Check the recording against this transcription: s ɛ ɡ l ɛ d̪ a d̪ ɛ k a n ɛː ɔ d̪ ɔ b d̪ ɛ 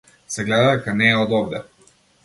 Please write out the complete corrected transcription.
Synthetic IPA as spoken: s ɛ ɡ l ɛ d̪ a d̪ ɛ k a n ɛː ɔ d̪ ɔ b d̪ ɛ